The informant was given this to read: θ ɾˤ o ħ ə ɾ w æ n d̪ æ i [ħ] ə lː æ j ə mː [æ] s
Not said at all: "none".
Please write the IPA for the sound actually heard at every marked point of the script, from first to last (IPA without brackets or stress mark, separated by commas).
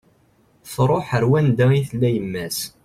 θ, æ